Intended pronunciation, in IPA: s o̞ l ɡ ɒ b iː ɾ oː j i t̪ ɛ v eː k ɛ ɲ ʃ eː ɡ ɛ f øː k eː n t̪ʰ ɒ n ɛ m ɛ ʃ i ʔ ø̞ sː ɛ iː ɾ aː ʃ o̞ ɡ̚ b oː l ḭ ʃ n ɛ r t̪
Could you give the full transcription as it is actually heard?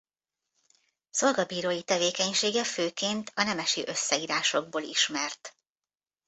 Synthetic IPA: s o̞ l ɡ ɒ b iː ɾ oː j i t̪ ɛ v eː k ɛ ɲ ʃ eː ɡ ɛ f øː k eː n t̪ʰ ɒ n ɛ m ɛ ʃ i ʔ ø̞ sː ɛ iː ɾ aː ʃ o̞ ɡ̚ b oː l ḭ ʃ m ɛ r t̪